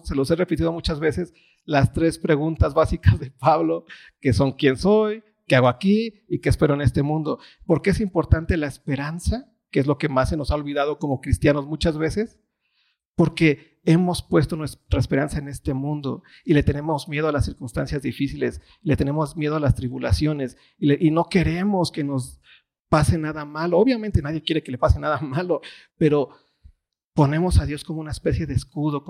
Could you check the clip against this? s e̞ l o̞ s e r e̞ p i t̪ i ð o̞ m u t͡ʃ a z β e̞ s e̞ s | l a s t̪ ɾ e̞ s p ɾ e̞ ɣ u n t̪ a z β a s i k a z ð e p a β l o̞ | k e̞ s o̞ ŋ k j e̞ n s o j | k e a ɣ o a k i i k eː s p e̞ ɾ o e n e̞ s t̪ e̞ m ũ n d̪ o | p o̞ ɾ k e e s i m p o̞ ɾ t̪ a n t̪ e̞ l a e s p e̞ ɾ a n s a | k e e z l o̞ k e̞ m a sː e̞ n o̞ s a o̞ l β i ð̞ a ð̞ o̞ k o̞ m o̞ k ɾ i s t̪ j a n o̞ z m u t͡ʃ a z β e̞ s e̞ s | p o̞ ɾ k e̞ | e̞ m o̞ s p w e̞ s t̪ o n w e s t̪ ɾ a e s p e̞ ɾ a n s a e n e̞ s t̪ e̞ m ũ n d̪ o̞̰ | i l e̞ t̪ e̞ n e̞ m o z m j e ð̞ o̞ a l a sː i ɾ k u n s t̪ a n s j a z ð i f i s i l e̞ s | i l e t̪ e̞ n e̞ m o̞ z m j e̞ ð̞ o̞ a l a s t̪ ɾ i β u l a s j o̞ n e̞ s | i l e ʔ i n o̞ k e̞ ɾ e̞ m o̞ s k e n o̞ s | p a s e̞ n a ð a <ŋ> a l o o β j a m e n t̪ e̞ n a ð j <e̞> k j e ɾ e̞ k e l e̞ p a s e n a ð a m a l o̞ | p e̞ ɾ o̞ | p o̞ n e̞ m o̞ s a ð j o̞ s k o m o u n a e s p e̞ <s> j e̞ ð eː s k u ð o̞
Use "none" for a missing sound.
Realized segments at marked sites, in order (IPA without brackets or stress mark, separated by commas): m, e̞, s